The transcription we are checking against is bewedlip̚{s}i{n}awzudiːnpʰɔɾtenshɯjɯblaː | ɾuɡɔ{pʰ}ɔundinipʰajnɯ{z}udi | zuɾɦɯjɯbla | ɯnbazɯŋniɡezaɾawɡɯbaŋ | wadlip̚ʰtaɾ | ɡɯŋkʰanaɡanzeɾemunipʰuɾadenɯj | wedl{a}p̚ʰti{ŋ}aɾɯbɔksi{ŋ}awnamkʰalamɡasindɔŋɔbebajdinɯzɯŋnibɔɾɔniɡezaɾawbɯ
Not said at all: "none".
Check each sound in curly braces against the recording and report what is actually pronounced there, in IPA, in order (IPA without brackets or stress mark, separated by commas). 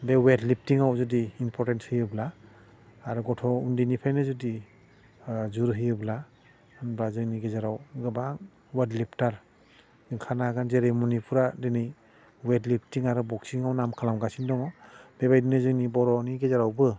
t, ŋ, tʰ, z, i, ŋ, ŋ